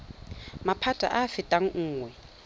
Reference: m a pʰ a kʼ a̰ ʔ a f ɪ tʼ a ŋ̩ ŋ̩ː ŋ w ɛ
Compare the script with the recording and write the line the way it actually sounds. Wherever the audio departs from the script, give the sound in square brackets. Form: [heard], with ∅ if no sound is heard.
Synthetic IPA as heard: m a pʰ a [tʼ] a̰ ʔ a f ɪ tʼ a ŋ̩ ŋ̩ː ŋ w ɛ